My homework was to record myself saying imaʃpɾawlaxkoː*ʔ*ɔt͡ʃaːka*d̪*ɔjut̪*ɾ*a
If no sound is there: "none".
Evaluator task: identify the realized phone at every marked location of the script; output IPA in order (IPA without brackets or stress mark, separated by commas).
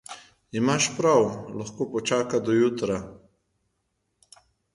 p, d̪, ɾ